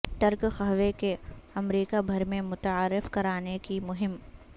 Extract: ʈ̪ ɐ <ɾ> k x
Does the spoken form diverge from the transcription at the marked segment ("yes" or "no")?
no